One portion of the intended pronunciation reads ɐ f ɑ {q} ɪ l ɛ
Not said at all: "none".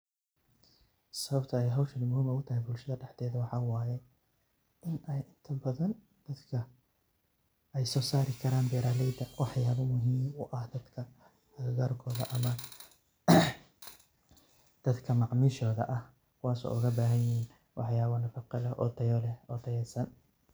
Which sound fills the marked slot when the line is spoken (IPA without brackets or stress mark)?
q